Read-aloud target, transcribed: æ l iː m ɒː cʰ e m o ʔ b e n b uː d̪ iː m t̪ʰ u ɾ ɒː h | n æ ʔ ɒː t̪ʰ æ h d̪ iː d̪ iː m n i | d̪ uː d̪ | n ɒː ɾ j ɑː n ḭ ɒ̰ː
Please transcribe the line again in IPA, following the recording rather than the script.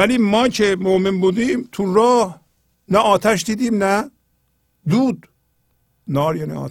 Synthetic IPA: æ l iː m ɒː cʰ e m o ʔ m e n b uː d̪ iː m t̪ʰ u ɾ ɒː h | n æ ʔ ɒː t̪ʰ æ ʃ d̪ iː d̪ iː m n æ | d̪ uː d̪ | n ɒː ɾ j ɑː n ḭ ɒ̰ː